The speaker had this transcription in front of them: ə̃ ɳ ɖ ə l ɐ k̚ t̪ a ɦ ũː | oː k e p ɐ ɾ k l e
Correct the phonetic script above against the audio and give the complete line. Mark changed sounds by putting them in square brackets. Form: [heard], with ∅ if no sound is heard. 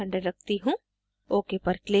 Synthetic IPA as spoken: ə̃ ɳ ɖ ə [ɾ] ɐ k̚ t̪ [i] ɦ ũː | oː k e p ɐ ɾ k l e